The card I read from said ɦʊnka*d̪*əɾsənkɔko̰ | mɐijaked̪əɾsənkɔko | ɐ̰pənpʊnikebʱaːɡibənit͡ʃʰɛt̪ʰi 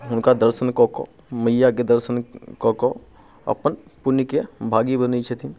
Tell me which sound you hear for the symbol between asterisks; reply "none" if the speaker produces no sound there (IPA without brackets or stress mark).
d̪